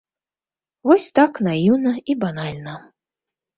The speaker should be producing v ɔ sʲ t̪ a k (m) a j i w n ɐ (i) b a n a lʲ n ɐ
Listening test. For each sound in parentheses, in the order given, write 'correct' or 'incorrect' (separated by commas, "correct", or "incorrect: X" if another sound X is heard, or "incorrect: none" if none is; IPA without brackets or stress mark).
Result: incorrect: n, correct